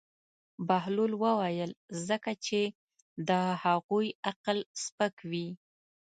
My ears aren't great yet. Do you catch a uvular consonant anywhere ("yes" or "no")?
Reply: yes